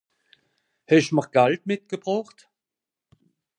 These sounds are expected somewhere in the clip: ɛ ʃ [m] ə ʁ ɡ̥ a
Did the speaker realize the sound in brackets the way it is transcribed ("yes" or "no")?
yes